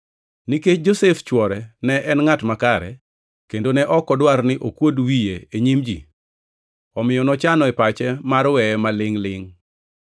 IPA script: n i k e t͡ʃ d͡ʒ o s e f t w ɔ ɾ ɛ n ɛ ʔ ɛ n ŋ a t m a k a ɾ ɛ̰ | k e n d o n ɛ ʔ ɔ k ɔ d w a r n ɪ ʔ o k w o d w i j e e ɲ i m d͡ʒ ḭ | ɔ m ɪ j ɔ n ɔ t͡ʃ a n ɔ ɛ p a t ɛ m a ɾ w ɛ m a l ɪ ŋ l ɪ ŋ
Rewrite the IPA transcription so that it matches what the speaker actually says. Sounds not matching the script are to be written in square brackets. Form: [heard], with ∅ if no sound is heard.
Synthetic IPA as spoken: n i k e t͡ʃ d͡ʒ o s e f [t͡ʃ] w ɔ ɾ ɛ n ɛ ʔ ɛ n ŋ a t m a k a ɾ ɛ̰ | k e n d o n ɛ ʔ ɔ k ɔ d w a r n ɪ ʔ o k w o d w i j e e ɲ i m d͡ʒ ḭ | ɔ m ɪ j ɔ n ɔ t͡ʃ a n ɔ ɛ p a [t͡ʃ] ɛ m a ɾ w ɛ m a l ɪ ŋ l ɪ ŋ

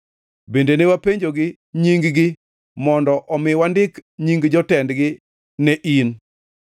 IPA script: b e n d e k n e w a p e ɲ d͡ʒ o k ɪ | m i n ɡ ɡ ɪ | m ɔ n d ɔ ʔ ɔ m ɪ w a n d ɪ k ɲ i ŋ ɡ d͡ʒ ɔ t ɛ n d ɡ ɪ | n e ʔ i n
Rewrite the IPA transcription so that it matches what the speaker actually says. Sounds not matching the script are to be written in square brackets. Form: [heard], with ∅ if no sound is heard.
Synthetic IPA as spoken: b e n d e [∅] n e w a p e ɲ d͡ʒ o [ɡ] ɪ | [ɲ] i [ŋ] ɡ ɡ ɪ | m ɔ n d ɔ ʔ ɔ m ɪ w a n d ɪ k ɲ i ŋ ɡ d͡ʒ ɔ t ɛ n d ɡ ɪ | n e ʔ i n

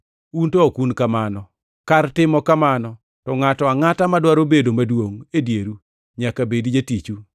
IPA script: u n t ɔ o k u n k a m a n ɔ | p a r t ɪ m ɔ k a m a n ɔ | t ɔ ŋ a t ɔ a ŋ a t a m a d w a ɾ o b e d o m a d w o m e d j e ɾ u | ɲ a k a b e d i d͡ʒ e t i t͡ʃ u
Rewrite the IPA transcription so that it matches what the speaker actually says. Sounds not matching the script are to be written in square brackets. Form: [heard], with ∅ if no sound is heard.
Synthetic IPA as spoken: u n t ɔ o k u n k a m a n ɔ | [k] a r t ɪ m ɔ k a m a n ɔ | t ɔ ŋ a t ɔ a ŋ a t a m a d w a ɾ o b e d o m a d w o [ŋ] e d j e ɾ u | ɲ a k a b e d i d͡ʒ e t i t͡ʃ u

